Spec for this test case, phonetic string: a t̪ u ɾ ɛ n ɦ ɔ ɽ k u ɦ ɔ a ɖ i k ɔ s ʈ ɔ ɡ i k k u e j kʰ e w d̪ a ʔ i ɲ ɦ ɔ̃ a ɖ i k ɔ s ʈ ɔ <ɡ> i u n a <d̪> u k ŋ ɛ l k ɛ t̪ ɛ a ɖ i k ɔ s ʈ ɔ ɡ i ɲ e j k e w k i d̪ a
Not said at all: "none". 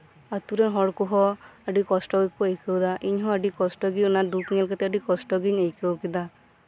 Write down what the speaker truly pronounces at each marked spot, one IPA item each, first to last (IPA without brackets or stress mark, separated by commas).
ɡ, d̪